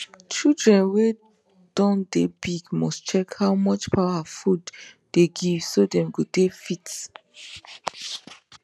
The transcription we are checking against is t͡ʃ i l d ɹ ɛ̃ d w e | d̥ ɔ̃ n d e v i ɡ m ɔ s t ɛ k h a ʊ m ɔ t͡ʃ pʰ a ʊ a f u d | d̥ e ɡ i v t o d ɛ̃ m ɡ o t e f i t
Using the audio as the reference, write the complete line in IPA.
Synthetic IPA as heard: t͡ʃ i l d ɹ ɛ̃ n w e | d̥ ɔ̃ n d e b i ɡ m ɔ s t͡ʃ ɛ k h a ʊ m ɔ t͡ʃ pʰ a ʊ a f u d | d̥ e ɡ i v s o d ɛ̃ m ɡ o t e f i t